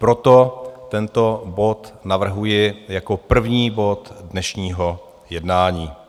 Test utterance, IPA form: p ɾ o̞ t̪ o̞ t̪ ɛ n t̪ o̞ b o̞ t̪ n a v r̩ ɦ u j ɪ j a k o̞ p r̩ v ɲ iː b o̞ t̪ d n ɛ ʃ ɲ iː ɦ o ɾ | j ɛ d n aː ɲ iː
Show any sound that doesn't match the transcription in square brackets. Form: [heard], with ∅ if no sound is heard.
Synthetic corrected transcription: p ɾ o̞ t̪ o̞ t̪ ɛ n t̪ o̞ b o̞ t̪ n a v r̩ ɦ u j ɪ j a k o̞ p r̩ v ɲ iː b o̞ t̪ d n ɛ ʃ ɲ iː ɦ o [∅] | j ɛ d n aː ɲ iː